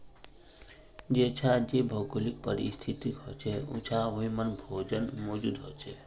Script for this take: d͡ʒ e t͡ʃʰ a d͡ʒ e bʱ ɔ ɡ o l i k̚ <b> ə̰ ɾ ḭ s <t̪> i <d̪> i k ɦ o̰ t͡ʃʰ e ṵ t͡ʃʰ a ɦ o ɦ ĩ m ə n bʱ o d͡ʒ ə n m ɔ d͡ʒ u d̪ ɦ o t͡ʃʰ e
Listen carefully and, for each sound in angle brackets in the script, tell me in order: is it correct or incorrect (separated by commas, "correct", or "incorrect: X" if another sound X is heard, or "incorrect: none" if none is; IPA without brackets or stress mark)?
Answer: incorrect: p, incorrect: t̪ʰ, incorrect: t̪